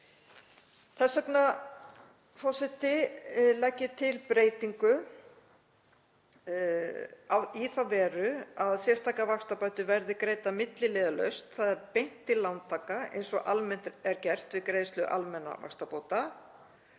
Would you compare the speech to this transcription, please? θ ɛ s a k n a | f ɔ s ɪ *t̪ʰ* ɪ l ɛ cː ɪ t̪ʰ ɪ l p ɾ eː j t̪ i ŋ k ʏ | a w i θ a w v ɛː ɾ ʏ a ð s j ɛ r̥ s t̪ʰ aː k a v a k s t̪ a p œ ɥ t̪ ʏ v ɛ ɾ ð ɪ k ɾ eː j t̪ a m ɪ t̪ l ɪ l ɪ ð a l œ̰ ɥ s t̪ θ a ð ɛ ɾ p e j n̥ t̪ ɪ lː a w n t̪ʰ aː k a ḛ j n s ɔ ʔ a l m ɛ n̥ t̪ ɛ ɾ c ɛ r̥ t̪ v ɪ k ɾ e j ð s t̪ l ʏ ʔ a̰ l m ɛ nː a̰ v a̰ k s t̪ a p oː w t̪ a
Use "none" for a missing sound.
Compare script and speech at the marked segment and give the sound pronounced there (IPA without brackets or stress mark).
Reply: t̪